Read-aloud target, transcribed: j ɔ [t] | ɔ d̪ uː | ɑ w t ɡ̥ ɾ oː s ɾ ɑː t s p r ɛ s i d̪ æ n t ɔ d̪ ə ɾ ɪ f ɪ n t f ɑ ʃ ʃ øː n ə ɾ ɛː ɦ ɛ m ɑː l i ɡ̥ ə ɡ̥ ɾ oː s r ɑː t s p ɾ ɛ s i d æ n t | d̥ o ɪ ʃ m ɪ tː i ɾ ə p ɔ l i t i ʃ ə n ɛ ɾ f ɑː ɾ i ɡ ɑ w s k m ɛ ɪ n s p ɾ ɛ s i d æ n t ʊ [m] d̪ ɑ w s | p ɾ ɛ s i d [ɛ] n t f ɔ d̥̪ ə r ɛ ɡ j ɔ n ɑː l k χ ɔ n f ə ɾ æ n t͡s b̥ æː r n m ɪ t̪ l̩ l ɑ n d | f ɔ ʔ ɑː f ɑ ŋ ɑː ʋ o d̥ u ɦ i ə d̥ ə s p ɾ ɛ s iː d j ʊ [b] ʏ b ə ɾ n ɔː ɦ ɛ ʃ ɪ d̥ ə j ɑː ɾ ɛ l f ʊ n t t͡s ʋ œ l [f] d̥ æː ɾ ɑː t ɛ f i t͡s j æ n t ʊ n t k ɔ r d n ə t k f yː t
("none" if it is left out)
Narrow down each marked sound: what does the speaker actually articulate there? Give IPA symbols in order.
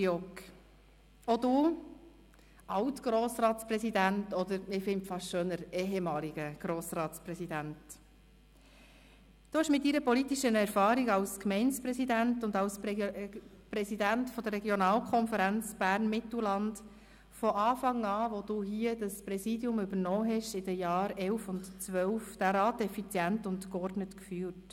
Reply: k, n, æ, m, f

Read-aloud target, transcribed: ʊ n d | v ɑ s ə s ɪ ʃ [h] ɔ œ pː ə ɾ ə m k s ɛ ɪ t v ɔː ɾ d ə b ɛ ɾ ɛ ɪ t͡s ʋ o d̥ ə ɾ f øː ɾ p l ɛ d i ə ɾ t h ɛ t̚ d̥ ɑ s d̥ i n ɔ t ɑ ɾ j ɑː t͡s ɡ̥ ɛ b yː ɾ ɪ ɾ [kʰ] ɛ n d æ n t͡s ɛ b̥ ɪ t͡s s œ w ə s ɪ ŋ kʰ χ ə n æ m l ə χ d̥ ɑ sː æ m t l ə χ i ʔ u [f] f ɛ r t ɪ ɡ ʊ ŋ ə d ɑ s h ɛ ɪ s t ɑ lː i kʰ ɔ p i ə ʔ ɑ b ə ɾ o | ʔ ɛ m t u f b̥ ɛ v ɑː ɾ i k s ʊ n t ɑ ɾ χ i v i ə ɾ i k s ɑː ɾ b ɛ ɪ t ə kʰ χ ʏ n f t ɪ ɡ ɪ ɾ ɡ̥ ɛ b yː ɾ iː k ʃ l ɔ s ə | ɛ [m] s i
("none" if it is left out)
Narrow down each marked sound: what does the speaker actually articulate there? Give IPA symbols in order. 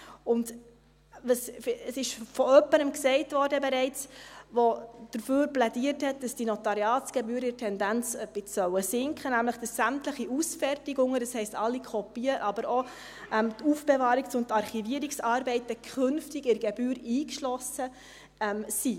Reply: f, tʰ, s, m

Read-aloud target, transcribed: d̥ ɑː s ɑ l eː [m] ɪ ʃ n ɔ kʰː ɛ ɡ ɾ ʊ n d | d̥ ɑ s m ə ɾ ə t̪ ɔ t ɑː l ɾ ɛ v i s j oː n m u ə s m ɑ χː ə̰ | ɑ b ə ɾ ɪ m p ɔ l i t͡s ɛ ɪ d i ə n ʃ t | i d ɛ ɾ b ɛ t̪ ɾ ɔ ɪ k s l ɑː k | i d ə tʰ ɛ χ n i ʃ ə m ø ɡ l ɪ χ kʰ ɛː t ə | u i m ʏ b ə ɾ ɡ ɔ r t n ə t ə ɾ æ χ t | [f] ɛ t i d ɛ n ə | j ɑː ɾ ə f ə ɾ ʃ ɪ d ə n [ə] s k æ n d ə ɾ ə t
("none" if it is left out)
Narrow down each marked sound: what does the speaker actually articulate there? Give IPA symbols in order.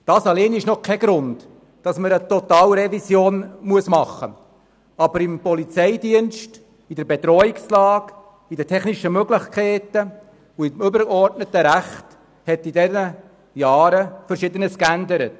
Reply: n, h, ə

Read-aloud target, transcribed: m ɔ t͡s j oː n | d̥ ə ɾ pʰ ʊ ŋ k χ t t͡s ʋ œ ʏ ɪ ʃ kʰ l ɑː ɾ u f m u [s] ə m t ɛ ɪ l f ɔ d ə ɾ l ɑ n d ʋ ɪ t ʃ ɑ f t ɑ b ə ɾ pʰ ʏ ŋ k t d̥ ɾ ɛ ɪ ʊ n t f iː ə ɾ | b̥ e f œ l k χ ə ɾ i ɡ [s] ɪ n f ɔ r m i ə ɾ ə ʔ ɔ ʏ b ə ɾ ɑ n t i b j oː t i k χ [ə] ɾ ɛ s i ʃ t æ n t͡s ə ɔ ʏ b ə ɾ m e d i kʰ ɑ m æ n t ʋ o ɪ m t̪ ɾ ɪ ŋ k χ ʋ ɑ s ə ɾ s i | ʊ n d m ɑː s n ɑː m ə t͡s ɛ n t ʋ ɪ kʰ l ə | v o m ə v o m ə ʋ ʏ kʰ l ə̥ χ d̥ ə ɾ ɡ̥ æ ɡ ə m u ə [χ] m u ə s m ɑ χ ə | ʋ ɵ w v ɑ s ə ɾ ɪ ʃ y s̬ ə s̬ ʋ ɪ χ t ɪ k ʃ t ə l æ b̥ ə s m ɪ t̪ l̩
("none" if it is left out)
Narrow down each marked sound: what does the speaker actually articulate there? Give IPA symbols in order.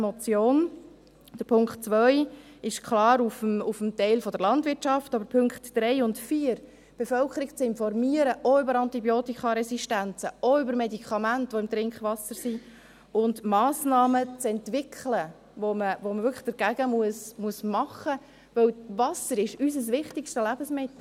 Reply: f, t͡s, ɑ, s

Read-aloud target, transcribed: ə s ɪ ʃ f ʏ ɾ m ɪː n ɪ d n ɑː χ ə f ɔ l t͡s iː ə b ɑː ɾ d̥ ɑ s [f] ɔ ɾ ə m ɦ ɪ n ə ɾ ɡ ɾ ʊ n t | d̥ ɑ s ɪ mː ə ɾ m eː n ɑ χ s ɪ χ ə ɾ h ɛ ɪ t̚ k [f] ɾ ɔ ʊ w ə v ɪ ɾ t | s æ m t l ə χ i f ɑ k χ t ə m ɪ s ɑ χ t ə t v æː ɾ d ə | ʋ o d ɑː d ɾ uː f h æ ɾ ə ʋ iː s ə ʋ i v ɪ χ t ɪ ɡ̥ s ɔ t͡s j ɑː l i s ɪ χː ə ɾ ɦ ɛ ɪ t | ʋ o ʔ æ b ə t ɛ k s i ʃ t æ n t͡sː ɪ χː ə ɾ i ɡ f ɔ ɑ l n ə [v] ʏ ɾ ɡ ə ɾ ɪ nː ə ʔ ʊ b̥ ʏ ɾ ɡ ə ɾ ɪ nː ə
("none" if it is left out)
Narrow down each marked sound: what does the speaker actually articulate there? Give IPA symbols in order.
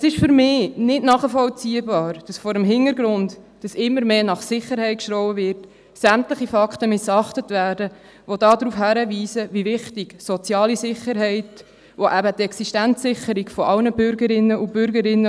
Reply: f, ʃ, b

